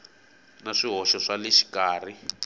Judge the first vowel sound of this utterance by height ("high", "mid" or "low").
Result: low